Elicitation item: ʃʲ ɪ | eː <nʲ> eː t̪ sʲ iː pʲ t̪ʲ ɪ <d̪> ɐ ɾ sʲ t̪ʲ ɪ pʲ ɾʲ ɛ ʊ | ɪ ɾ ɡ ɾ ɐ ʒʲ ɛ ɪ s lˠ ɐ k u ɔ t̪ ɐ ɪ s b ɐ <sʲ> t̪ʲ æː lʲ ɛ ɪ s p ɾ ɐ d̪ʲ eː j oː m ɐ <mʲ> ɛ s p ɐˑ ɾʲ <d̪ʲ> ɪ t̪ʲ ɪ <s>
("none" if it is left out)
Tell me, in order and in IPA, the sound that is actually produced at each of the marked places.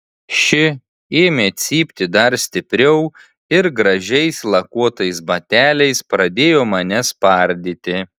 mʲ, d̪, none, nʲ, d̪ʲ, none

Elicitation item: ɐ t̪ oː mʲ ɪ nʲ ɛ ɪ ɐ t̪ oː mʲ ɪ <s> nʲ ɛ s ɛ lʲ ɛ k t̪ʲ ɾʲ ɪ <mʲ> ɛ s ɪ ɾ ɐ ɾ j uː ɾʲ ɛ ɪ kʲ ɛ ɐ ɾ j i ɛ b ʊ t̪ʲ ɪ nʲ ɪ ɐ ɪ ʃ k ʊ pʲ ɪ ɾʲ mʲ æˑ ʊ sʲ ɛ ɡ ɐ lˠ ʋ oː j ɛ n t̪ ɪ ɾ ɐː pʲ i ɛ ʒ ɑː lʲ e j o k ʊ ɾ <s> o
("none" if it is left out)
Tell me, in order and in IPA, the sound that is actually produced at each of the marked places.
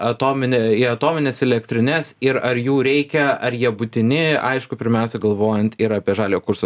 none, nʲ, s

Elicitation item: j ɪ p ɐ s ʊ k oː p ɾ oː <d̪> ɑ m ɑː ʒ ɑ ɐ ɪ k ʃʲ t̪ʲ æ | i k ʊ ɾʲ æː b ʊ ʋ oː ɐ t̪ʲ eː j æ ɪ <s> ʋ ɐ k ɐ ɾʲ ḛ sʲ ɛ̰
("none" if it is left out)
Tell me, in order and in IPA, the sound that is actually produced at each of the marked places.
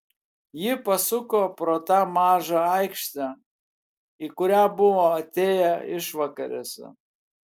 t̪, ʃ

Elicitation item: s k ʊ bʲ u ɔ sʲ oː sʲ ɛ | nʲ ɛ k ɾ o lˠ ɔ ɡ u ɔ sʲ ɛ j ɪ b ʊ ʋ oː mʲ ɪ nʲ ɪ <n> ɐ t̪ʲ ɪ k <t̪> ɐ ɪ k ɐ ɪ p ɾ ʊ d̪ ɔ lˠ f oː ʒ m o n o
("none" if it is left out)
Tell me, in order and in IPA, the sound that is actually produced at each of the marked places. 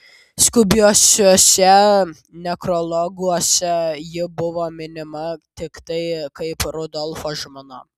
m, t̪

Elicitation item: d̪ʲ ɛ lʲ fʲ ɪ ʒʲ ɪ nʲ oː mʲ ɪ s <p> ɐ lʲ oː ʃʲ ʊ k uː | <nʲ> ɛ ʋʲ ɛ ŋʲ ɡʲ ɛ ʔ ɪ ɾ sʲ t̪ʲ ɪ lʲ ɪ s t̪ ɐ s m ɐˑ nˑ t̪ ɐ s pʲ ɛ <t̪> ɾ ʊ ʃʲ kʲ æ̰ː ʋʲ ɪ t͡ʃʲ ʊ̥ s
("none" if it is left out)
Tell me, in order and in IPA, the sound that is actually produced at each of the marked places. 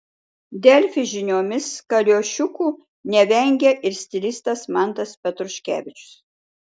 k, nʲ, t̪

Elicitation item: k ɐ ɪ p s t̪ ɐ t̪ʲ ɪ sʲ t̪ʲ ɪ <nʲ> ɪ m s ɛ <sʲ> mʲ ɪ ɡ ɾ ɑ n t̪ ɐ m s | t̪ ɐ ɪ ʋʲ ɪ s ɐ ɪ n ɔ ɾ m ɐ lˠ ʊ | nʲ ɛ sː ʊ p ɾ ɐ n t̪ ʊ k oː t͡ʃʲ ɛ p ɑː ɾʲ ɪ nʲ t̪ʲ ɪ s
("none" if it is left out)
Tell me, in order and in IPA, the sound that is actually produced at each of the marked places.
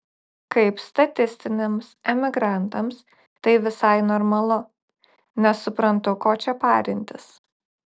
nʲ, none

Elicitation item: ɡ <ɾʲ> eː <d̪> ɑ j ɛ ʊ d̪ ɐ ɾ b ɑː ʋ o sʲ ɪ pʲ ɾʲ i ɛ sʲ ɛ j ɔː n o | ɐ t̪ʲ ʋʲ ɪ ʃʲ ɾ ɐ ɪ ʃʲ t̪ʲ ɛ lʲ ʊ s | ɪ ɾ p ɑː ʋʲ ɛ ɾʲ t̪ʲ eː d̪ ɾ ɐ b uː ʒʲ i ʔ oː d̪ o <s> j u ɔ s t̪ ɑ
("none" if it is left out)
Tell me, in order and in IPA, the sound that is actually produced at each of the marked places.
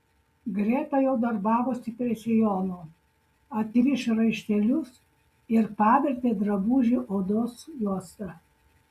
ɾʲ, t̪, s

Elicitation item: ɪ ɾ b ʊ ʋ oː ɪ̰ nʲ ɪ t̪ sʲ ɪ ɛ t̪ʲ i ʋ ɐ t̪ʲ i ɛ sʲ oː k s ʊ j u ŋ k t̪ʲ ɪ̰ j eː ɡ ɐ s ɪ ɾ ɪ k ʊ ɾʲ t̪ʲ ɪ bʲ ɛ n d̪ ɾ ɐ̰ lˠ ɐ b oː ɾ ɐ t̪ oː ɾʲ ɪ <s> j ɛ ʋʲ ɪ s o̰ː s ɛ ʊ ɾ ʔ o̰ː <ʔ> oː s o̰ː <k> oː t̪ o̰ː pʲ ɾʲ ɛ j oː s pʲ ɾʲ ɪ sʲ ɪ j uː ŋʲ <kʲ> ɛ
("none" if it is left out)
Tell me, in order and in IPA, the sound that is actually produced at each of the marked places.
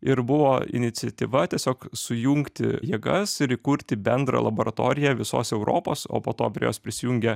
none, p, p, ɡʲ

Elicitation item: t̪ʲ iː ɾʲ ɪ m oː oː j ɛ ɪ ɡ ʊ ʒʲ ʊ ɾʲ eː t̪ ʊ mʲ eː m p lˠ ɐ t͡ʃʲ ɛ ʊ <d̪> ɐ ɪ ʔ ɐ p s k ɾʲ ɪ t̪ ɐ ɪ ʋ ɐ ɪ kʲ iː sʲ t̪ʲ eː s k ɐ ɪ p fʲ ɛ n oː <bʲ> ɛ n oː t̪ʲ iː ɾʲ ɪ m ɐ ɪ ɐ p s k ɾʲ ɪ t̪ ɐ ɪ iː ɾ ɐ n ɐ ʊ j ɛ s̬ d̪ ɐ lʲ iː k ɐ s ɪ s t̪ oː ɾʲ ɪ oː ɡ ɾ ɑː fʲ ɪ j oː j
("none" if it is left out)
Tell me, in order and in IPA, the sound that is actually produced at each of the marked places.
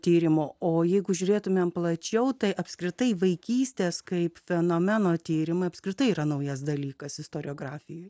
t̪, mʲ

